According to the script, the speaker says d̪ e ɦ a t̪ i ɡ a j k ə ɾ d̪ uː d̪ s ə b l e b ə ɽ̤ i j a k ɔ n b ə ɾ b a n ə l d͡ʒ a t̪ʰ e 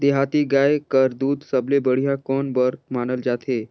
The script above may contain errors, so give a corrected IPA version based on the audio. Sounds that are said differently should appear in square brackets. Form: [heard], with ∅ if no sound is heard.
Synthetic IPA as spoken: d̪ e ɦ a t̪ i ɡ a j k ə ɾ d̪ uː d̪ s ə b l e b ə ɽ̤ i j a k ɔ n b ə ɾ [m] a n ə l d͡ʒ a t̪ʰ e